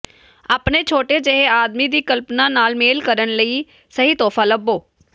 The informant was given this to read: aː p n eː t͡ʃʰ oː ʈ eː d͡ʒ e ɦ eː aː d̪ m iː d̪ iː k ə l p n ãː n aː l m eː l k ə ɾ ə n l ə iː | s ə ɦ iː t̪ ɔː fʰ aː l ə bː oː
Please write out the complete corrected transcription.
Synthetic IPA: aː p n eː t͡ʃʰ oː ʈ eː d͡ʒ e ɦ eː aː d̪ m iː d̪ iː k ə l p n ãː n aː l m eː l k ə ɾ ə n l ə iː | s ə ɦ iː t̪ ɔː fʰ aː l ə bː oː